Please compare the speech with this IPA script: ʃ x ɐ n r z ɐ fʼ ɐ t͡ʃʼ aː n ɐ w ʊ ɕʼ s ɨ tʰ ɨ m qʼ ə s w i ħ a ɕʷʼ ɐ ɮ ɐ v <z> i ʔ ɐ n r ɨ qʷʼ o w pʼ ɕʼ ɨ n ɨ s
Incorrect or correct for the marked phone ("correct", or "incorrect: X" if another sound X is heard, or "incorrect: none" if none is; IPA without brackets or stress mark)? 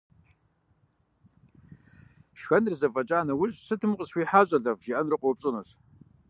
incorrect: ʒ